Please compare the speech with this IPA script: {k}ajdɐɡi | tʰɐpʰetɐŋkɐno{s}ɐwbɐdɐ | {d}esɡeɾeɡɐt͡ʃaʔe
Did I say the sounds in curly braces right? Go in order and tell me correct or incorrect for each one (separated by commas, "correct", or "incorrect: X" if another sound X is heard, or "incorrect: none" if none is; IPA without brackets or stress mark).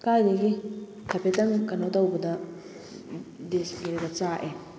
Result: correct, incorrect: t, correct